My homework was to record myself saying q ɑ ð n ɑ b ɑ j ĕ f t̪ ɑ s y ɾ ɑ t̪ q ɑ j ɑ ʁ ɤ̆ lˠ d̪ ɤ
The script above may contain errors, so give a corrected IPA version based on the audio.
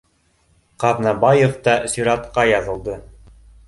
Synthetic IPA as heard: q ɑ ð n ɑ b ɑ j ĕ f t̪ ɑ s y ɾ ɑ t̪ q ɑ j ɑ ð ɤ̆ lˠ d̪ ɤ